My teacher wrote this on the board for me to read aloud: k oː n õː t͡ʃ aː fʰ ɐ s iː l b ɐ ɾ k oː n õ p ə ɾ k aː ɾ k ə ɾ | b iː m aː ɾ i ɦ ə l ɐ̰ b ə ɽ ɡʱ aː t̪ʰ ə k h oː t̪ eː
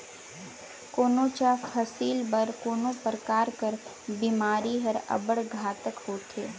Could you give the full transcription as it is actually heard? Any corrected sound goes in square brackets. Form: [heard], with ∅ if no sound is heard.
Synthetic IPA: k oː n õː t͡ʃ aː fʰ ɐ s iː l b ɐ ɾ k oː n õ p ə ɾ k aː ɾ k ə ɾ | b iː m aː ɾ i ɦ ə [ɾ] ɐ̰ b ə ɽ ɡʱ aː [t̪] ə k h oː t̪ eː